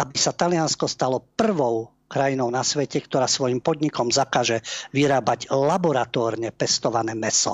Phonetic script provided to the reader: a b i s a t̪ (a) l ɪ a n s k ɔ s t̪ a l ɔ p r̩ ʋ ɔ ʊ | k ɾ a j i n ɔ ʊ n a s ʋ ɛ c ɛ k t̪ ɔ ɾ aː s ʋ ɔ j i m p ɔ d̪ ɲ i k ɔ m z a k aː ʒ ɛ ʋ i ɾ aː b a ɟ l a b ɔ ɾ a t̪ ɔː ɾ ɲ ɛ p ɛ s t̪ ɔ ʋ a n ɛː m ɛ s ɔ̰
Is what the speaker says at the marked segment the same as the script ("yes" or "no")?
yes